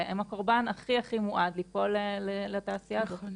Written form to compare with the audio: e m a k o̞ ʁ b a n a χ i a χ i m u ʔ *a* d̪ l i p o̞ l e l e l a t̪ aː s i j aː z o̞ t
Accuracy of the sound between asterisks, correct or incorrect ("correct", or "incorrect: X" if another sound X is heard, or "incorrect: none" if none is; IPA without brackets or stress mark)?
correct